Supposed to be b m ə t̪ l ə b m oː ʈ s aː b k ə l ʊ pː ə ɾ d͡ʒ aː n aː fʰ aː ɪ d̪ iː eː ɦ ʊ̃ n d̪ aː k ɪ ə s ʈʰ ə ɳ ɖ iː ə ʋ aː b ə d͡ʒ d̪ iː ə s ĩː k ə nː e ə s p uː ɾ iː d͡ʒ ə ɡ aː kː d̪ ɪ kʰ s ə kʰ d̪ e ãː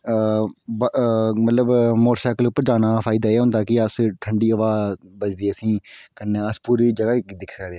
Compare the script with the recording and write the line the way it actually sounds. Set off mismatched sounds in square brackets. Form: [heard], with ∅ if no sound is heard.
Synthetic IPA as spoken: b m ə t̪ l ə b m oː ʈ s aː [∅] k ə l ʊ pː ə ɾ d͡ʒ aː n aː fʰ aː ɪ d̪ [aː] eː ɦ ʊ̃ n d̪ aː k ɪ ə s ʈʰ ə ɳ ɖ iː ə ʋ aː b ə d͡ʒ d̪ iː ə s ĩː k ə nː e ə s p uː ɾ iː d͡ʒ ə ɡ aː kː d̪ ɪ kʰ s ə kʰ d̪ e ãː